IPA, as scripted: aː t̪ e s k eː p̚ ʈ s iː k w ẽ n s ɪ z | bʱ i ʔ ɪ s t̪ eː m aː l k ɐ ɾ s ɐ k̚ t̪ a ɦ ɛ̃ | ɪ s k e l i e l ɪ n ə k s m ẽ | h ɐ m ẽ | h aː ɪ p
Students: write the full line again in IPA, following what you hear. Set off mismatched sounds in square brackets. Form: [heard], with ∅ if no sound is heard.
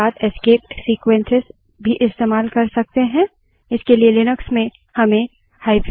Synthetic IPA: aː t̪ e s k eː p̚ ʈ s iː k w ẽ n s ɪ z | bʱ i ʔ ɪ s t̪ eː m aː l k ɐ ɾ s ɐ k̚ t̪ [e] ɦ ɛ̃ | ɪ s k e l i e l ɪ n ə k s m ẽ | h ɐ m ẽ | h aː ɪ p

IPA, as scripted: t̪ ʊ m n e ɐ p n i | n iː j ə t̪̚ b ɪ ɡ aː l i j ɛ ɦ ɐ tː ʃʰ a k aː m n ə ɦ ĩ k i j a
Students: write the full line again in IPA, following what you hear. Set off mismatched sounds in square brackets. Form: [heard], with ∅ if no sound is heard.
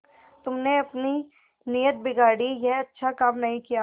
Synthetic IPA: t̪ ʊ m n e ɐ p n i | n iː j ə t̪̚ b ɪ ɡ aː [ɽ] i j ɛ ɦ ɐ tː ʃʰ a k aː m n [ɐ] ɦ ĩ k i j a

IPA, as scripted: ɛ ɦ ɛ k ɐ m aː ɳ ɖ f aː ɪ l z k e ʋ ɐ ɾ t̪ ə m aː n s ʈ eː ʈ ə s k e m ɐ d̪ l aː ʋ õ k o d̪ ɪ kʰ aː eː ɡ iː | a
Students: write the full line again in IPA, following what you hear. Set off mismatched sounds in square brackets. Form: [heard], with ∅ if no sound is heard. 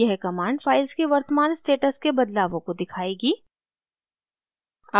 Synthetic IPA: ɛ ɦ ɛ k ɐ m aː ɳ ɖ f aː ɪ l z k e ʋ ɐ ɾ t̪ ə m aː n s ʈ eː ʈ ə s k e [b] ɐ d̪ l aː ʋ õ k o d̪ ɪ kʰ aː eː ɡ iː | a

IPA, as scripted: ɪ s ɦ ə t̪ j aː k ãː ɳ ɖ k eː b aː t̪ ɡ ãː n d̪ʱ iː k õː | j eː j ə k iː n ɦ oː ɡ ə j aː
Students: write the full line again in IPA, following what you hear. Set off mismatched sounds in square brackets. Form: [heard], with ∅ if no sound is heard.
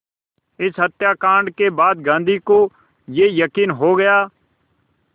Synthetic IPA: ɪ s ɦ ə t̪ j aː k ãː ɳ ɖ k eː b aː [d̪] ɡ ãː n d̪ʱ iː k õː | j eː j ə k iː n ɦ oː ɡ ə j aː

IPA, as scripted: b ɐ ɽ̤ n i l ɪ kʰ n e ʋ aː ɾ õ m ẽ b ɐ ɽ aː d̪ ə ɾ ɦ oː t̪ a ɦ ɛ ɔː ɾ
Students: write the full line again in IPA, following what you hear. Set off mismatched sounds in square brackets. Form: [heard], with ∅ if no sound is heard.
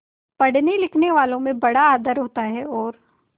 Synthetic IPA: [p] ɐ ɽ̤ n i l ɪ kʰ n e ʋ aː [l] õ m ẽ b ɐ ɽ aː d̪ ə ɾ ɦ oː t̪ a ɦ ɛ ɔː ɾ

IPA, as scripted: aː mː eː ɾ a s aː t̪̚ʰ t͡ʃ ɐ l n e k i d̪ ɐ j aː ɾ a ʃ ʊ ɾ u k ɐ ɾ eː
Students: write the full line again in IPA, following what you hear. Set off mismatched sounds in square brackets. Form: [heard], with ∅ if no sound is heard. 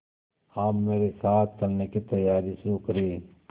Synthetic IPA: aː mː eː ɾ [e] s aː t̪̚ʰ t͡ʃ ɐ l n e k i [t̪] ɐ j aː ɾ [i] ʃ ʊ ɾ u k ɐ ɾ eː

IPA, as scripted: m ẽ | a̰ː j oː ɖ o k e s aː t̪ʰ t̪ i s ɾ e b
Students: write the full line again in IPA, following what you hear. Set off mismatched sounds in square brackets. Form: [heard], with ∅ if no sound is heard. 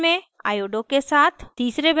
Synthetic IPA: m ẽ | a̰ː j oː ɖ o k e s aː t̪ʰ t̪ [iː] s ɾ e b

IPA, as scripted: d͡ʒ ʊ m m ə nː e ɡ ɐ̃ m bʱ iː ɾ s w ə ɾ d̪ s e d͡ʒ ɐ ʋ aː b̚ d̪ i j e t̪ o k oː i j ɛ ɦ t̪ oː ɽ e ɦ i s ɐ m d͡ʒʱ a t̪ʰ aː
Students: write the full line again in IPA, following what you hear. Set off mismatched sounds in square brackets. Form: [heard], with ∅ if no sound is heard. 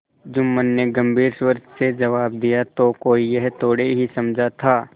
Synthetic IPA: d͡ʒ ʊ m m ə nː e ɡ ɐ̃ m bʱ iː ɾ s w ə ɾ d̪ s e d͡ʒ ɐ ʋ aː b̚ d̪ i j [a] t̪ o k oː i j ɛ ɦ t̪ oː ɽ e ɦ i s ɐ m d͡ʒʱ a t̪ʰ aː

